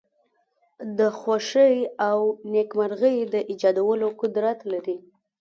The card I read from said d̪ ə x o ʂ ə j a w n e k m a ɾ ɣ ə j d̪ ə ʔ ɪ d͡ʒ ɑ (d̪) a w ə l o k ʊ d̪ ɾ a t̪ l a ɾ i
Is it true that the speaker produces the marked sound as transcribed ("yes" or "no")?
yes